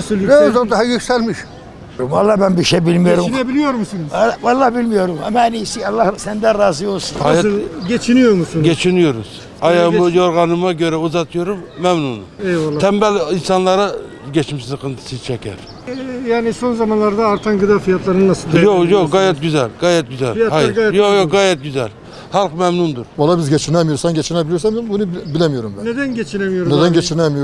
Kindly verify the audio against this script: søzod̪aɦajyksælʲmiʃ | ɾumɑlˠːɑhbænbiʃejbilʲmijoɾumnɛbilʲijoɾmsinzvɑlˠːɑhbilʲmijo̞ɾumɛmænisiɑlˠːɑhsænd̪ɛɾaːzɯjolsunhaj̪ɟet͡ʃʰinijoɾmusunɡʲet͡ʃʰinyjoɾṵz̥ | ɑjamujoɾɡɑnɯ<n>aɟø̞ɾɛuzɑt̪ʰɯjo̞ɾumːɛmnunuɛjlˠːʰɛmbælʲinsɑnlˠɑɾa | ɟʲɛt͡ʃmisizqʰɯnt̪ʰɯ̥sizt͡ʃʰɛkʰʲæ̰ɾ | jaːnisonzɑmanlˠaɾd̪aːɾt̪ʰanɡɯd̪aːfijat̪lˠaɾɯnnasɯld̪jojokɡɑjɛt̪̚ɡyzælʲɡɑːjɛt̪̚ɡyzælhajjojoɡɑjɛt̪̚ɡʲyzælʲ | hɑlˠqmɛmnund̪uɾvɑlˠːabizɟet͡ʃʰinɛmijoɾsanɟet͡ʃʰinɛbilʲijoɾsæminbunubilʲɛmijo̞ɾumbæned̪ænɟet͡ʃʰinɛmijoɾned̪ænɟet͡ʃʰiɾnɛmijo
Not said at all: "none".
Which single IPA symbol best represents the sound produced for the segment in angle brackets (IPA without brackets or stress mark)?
m